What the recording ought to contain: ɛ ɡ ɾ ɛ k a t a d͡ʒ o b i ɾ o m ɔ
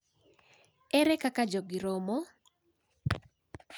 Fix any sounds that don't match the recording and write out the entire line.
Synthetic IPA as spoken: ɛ ɾ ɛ k a k a d͡ʒ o ɡ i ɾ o m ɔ